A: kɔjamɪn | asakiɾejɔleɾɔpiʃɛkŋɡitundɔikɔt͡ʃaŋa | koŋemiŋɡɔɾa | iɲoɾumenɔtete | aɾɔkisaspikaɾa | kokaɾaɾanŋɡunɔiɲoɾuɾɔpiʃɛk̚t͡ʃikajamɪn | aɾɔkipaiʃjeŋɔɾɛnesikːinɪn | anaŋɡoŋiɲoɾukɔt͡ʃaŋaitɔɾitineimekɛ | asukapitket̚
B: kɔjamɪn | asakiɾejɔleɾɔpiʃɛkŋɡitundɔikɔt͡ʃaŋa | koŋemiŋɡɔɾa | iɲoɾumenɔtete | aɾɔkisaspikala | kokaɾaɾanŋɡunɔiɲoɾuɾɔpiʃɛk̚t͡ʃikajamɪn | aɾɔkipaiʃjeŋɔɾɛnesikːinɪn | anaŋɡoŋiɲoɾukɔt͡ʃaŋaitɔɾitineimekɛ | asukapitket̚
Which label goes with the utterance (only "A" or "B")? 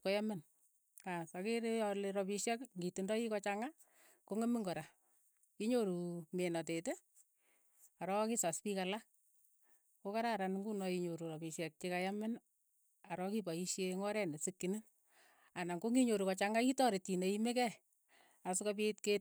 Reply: B